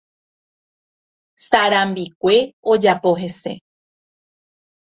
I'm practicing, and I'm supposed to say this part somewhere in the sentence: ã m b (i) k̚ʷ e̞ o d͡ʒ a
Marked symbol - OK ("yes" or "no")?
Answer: yes